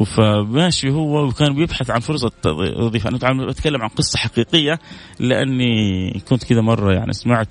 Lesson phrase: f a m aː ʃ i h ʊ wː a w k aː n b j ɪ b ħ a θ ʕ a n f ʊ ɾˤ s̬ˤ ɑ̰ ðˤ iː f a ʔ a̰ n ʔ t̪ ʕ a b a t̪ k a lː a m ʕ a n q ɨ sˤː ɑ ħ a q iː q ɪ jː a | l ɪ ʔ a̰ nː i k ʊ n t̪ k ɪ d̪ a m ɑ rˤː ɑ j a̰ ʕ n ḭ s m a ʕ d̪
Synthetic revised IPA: f a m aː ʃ i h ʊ wː a w k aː n b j ɪ b ħ a θ ʕ a n f ʊ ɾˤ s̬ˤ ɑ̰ ðˤ iː f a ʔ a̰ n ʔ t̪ ʕ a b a t̪ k a lː a m ʕ a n q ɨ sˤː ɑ ħ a q iː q ɪ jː a | l ɪ ʔ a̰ nː i k ʊ n t̪ k ɪ d̪ a m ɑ rˤː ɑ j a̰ ʕ n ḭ s m a ʕ t̪